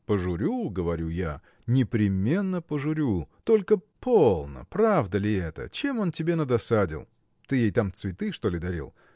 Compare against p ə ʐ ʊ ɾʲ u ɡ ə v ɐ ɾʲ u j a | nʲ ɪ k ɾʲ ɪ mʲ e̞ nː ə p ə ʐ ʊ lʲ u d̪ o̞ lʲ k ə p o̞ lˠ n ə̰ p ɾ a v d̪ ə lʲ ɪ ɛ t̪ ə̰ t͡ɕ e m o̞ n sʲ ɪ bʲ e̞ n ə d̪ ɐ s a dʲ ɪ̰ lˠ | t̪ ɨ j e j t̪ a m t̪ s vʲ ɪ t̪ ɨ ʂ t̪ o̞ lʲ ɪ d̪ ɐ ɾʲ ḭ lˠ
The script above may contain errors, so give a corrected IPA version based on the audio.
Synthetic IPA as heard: p ə ʐ ʊ ɾʲ u ɡ ə v ɐ ɾʲ u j a | nʲ ɪ p ɾʲ ɪ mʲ e̞ nː ə p ə ʐ ʊ ɾʲ u t̪ o̞ lʲ k ə p o̞ lˠ n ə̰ p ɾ a v d̪ ə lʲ ɪ ɛ t̪ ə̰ t͡ɕ e m o̞ n tʲ ɪ bʲ e̞ n ə d̪ ɐ s a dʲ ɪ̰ lˠ | t̪ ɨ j e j t̪ a m t̪ s vʲ ɪ t̪ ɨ ʂ t̪ o̞ lʲ ɪ d̪ ɐ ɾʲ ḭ lˠ